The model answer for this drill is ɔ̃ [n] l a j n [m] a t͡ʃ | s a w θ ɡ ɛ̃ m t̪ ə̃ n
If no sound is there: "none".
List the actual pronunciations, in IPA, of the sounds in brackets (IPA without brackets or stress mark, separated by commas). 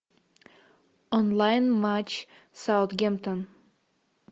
n, m